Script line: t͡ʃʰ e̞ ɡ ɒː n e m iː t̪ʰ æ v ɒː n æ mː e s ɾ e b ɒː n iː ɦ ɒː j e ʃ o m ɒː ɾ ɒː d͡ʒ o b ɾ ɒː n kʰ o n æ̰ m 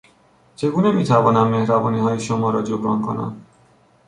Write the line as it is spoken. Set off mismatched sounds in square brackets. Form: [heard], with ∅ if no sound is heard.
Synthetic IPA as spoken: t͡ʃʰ e̞ ɡ [uː] n e m iː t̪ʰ æ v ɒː n æ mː e [h] ɾ [æ] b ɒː n iː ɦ ɒː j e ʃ o m ɒː ɾ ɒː d͡ʒ o b ɾ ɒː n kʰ o n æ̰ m